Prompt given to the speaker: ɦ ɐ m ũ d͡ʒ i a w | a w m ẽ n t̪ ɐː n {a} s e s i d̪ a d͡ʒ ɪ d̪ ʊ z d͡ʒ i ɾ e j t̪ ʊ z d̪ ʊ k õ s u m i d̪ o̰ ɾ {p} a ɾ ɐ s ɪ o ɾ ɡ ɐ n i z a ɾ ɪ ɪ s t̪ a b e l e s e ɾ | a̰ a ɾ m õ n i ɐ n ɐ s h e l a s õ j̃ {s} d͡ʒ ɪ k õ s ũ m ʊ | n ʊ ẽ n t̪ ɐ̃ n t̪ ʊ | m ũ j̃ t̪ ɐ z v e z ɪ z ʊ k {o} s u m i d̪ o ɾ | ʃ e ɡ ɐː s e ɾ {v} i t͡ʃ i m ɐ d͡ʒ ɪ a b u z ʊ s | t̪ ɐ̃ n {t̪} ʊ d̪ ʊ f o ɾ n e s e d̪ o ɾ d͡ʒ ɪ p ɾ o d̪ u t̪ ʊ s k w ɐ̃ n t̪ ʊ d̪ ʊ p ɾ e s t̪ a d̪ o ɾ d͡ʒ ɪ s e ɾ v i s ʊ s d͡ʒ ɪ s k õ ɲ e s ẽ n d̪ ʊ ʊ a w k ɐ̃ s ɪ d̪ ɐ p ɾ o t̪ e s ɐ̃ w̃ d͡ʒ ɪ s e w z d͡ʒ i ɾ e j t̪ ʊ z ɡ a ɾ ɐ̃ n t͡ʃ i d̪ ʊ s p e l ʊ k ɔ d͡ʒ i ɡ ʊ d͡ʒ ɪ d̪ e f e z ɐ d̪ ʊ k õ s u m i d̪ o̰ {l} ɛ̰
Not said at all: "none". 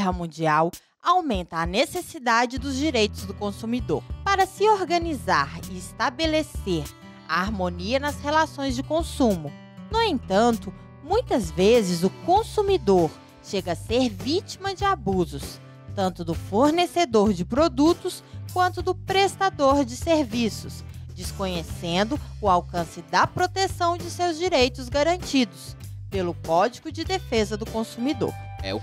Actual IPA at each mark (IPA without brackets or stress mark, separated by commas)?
e, p, z, õ, v, t̪, ɾ